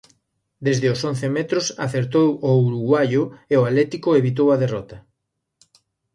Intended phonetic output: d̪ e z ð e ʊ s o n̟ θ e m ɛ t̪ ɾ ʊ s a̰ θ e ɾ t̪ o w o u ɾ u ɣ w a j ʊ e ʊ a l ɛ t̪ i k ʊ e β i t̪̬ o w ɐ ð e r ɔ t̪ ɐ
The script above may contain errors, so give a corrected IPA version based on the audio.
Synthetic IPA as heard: d̪ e z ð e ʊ s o n̟ θ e m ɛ t̪ ɾ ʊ s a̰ θ e ɾ t̪ o w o u ɾ u ɣ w a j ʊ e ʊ a l ɛ t̪ i k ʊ e β i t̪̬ o w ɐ ð e r ɔ t̪ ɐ